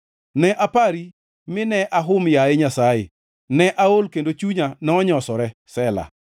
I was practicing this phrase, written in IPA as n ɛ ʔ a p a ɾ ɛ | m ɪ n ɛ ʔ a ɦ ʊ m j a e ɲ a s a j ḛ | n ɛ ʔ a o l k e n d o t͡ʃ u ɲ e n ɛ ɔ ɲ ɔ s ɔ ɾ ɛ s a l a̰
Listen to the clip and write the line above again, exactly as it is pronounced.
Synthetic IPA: n ɛ ʔ a p a ɾ i | m ɪ n ɛ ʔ a ɦ ʊ m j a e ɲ a s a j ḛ | n ɛ ʔ a o l k e n d o t͡ʃ u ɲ a n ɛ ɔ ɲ ɔ s ɔ ɾ ɛ s ɛ l a̰